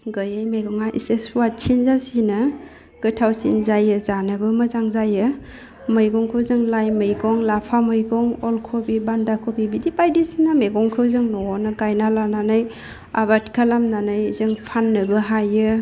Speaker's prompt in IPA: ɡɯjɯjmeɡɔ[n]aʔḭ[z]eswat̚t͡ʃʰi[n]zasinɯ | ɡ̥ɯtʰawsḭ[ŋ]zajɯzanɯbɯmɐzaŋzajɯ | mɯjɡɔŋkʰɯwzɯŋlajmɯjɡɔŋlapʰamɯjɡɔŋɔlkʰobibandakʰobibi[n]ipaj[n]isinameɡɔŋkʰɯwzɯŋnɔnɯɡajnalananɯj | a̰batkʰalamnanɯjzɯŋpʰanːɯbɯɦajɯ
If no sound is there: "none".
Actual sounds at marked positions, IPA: ŋ, s, n, n, d, d

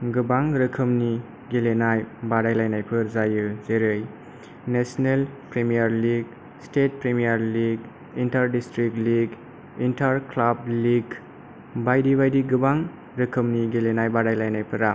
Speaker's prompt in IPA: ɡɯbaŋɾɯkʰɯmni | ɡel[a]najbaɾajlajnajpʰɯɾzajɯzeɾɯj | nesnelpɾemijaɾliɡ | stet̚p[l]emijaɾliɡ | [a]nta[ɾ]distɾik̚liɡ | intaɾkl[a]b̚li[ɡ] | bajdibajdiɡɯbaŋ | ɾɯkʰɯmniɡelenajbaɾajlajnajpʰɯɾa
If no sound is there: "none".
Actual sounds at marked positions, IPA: e, ɾ, i, ɾ, a, ɡ

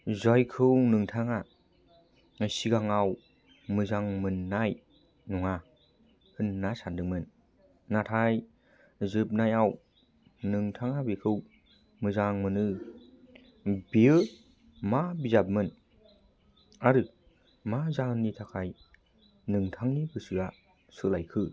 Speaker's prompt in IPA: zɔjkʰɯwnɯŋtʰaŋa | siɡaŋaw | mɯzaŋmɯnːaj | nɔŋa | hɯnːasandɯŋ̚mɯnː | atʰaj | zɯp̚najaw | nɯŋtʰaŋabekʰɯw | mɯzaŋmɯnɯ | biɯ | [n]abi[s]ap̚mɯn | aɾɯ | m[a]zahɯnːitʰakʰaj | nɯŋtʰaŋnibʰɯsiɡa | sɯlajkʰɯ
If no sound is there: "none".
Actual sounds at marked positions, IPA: m, z, a

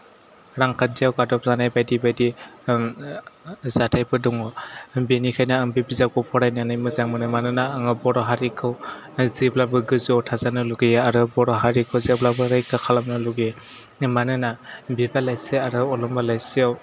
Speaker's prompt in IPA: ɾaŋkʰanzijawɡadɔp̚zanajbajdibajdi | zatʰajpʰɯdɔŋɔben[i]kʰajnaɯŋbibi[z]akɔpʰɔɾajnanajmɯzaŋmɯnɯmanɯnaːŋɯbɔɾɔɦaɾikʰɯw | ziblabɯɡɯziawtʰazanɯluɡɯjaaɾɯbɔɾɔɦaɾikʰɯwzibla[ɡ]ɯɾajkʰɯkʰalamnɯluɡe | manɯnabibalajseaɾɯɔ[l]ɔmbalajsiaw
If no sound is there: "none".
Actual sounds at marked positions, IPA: i, z, b, l

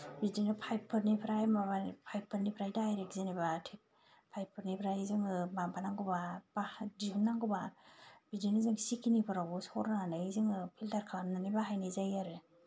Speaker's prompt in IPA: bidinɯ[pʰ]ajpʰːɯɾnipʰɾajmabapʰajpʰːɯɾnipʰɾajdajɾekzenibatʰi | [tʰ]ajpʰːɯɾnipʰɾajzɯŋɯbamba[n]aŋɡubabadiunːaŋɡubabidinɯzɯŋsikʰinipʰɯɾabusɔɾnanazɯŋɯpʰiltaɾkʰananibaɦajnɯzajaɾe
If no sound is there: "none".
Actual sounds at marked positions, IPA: pʰ, pʰ, n

